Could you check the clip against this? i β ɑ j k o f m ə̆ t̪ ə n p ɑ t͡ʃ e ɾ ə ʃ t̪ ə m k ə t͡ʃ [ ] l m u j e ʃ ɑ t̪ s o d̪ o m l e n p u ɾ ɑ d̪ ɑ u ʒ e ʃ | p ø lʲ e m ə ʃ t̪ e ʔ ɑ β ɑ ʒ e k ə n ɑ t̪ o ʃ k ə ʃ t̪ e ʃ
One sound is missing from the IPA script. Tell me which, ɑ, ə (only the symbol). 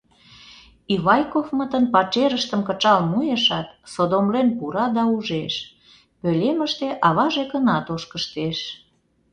ɑ